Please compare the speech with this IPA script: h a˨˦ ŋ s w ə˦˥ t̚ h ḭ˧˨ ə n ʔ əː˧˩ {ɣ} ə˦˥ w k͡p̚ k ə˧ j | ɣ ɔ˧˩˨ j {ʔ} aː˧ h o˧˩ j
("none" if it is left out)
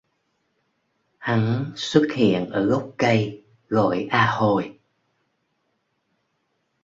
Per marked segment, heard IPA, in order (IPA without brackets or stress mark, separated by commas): ɣ, ʔ